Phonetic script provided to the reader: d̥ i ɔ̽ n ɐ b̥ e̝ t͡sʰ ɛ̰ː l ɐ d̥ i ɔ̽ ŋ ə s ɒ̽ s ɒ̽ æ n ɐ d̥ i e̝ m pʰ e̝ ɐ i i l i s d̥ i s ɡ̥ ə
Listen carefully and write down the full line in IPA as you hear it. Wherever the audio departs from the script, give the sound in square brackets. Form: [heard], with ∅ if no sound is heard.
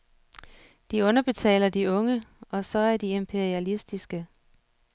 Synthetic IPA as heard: d̥ i ɔ̽ n ɐ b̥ e̝ t͡sʰ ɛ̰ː l ɐ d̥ i ɔ̽ ŋ ə [∅] ɒ̽ s ɒ̽ æ [∅] ɐ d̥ i e̝ m pʰ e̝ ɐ i [æ] l i s d̥ i s ɡ̥ ə

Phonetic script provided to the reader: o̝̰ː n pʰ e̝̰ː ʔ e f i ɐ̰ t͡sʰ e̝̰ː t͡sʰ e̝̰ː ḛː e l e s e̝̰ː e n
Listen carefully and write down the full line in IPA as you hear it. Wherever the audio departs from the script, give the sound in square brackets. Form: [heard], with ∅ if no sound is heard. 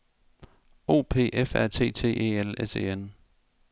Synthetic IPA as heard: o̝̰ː [∅] pʰ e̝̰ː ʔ e f [æ] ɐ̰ t͡sʰ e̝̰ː t͡sʰ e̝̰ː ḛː e l e s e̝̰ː e n

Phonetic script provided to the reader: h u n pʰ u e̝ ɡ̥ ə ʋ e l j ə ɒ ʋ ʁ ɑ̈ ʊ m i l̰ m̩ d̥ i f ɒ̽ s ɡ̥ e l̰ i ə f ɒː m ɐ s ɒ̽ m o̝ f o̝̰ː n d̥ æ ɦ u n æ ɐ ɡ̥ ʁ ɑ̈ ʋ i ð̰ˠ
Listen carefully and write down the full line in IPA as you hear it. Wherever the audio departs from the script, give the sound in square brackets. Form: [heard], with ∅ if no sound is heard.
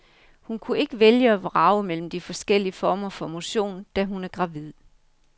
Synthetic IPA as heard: h u n [kʰ] u e̝ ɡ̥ ə ʋ e l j ə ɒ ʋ ʁ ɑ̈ ʊ m [e] l̰ m̩ d̥ i f ɒ̽ s ɡ̥ e l̰ i ə f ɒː m ɐ [f] ɒ̽ m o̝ [ɕ] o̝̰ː n d̥ æ ɦ u n æ ɐ ɡ̥ ʁ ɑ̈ ʋ i ð̰ˠ

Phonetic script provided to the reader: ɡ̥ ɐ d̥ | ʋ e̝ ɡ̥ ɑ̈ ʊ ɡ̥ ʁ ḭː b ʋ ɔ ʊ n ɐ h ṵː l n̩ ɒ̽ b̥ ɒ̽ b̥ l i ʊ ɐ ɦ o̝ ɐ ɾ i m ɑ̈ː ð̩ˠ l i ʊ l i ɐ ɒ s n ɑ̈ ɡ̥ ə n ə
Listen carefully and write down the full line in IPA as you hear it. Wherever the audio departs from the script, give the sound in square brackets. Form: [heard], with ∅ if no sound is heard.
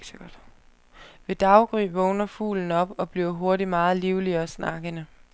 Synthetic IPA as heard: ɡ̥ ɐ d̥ | ʋ e̝ [d̥] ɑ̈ ʊ ɡ̥ ʁ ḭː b ʋ ɔ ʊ n ɐ [f] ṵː l n̩ ɒ̽ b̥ ɒ̽ b̥ l i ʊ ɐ ɦ o̝ ɐ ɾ i m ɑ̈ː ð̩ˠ l i ʊ l i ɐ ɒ s n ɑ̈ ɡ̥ ə n ə

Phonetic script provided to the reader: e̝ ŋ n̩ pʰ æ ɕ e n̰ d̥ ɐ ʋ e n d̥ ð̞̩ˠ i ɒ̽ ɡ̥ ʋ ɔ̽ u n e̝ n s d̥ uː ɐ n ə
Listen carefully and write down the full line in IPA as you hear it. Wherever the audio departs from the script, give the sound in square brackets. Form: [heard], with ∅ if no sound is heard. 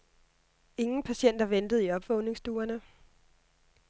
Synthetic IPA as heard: e̝ ŋ n̩ pʰ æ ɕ e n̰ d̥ ɐ ʋ e n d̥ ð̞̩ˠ i ɒ̽ [b̥] ʋ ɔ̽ [ʊ] n e̝ [ŋ] s d̥ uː ɐ n ə

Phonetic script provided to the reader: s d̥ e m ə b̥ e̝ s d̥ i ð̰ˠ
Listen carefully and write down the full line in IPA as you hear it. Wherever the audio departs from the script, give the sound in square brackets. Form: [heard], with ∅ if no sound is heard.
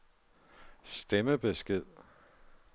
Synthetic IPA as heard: s d̥ e m ə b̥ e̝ s [ɡ̥] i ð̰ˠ

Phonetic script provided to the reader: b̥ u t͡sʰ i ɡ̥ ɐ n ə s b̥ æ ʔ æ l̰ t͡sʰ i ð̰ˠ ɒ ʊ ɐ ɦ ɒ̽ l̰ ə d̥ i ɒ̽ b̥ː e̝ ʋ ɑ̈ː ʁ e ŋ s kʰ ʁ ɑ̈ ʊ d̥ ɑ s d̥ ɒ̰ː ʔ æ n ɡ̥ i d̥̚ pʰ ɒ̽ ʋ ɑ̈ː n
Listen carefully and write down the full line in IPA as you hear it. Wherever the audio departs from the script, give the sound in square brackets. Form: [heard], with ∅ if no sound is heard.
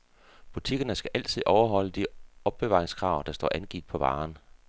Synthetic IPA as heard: b̥ u t͡sʰ i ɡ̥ ɐ n ə s [ɡ̥] æ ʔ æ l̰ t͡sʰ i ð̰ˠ ɒ ʊ ɐ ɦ ɒ̽ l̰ ə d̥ i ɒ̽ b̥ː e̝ ʋ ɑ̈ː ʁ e ŋ s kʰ ʁ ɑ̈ ʊ d̥ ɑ s d̥ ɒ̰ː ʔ æ n ɡ̥ i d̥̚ pʰ ɒ̽ ʋ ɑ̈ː n

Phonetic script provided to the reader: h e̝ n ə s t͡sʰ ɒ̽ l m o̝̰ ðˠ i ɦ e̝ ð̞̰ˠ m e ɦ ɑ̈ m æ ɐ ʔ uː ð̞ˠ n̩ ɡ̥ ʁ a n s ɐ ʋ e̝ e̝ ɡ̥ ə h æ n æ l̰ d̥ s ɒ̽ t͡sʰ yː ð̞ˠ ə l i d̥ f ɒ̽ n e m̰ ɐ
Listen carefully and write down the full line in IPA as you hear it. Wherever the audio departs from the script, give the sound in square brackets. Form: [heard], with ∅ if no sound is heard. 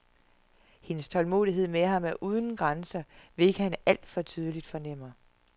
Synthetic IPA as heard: h e̝ n ə s t͡sʰ ɒ̽ l m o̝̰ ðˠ i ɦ e̝ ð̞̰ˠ m e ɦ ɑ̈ m æ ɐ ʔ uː ð̞ˠ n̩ ɡ̥ ʁ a n s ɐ ʋ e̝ e̝ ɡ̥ ə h æ n æ l̰ d̥ [f] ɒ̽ t͡sʰ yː ð̞ˠ ə l i d̥ f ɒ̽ n e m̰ ɐ

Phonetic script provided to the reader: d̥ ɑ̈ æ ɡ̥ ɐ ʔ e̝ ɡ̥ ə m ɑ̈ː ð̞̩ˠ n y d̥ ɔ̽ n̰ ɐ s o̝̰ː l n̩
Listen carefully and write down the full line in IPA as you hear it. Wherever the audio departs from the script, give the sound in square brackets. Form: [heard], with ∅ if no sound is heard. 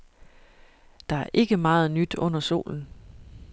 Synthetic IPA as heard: d̥ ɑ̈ æ [∅] ɐ ʔ e̝ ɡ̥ ə m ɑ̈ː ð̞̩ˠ n y d̥ ɔ̽ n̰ ɐ s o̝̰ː l n̩

